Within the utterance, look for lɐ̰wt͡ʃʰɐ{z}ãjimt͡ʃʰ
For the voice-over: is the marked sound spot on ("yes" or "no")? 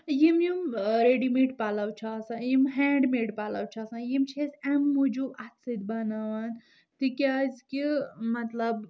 no